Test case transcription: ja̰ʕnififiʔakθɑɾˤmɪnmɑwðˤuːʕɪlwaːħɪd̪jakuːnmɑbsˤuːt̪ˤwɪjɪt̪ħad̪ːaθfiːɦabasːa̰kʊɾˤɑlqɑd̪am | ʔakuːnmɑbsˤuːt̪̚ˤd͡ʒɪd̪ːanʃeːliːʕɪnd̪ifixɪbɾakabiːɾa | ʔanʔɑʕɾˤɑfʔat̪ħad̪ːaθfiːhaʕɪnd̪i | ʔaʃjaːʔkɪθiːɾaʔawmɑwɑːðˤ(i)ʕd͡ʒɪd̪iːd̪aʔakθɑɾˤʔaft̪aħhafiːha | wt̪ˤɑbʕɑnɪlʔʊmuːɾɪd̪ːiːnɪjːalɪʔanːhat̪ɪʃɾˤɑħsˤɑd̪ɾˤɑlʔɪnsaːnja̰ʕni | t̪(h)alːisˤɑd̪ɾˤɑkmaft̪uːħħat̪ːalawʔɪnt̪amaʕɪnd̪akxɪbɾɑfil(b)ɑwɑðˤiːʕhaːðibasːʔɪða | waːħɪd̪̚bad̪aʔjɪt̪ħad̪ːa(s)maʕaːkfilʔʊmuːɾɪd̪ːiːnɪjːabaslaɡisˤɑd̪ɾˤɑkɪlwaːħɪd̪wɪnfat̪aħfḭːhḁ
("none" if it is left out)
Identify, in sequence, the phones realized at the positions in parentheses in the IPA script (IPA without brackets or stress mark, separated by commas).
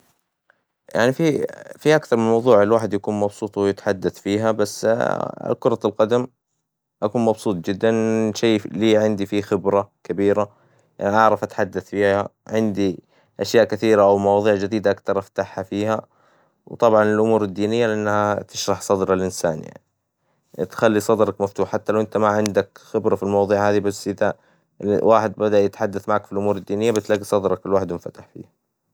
iː, x, m, θ